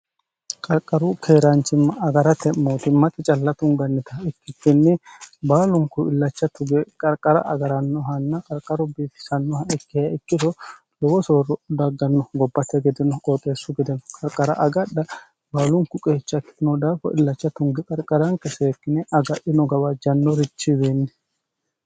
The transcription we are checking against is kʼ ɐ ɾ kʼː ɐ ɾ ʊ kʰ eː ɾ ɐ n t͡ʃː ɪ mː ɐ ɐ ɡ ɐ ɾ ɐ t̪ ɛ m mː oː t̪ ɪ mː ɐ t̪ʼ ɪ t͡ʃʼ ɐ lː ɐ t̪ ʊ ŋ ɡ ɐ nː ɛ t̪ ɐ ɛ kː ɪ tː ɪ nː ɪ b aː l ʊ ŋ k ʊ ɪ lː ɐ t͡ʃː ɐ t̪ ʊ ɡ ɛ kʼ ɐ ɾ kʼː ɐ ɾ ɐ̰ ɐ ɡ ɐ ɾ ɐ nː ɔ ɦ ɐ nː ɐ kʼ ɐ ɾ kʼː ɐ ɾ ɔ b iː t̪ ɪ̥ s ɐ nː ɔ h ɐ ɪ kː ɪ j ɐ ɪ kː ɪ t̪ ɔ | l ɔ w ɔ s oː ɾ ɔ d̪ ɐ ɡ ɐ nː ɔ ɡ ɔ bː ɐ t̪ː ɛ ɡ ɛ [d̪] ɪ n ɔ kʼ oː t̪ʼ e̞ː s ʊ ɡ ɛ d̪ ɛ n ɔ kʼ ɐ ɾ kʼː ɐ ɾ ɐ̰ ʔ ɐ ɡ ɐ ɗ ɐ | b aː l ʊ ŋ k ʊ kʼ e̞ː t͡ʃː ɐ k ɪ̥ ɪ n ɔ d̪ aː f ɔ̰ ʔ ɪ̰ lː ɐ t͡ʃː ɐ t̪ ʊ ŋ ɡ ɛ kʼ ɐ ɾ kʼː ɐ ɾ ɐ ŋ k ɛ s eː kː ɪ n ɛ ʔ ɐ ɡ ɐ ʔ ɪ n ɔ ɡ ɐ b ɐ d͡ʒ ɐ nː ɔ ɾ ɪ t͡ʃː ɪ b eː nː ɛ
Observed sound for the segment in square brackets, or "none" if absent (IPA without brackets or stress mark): d̪